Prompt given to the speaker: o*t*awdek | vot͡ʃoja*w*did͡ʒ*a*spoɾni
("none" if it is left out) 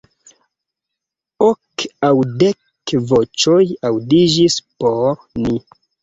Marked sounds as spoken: k, w, i

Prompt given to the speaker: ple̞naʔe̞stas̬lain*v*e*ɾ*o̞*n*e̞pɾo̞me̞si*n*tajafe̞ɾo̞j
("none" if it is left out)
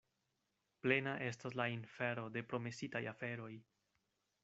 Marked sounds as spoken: f, ɾ, d, none

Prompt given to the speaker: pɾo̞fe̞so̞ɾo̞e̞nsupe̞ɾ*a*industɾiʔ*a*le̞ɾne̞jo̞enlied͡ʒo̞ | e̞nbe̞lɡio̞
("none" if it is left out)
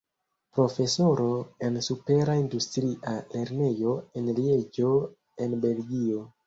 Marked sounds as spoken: a, a

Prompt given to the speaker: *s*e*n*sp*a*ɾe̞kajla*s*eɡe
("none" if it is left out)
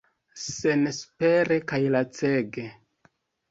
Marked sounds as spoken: s, n, e, t͡s

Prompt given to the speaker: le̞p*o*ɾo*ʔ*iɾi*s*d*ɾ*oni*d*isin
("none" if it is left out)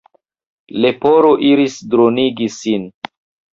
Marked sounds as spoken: o, ʔ, s, ɾ, ɡ

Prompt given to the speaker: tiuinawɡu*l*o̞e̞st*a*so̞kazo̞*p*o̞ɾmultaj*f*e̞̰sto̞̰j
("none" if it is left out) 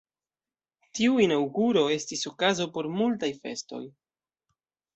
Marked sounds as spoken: ɾ, i, p, f

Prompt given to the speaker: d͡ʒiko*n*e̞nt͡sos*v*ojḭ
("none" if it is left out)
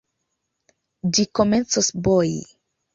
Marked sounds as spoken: m, b

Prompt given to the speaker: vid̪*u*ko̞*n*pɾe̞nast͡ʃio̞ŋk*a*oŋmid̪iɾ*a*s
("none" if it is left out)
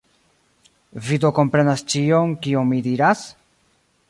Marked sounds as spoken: o, m, i, a

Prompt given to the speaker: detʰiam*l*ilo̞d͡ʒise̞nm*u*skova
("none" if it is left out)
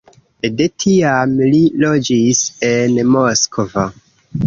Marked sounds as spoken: l, o

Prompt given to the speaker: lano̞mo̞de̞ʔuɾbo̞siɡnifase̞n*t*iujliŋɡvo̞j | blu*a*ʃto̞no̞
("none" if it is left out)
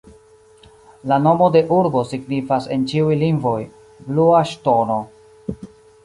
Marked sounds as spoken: t͡ʃ, a

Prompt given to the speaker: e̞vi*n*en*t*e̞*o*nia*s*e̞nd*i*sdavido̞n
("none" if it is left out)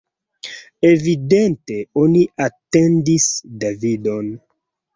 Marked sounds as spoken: d, t, o, t, i

